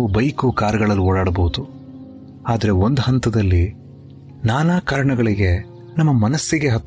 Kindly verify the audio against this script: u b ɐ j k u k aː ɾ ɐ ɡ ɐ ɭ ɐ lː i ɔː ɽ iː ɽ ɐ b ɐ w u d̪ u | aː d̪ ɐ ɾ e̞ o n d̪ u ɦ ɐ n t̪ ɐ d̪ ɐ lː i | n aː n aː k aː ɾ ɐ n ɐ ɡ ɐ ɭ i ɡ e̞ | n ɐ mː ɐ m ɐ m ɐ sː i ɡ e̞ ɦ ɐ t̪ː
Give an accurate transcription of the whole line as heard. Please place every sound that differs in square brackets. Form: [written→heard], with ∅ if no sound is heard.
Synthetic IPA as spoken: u b ɐ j k u k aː ɾ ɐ ɡ ɐ ɭ ɐ lː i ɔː ɽ [iː→aː] ɽ ɐ b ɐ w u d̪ u | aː d̪ ɐ ɾ e̞ o n d̪ u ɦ ɐ n t̪ ɐ d̪ ɐ lː i | n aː n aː k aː ɾ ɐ [n→ɳ] ɐ ɡ ɐ ɭ i ɡ e̞ | n ɐ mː ɐ m ɐ [m→n] ɐ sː i ɡ e̞ ɦ ɐ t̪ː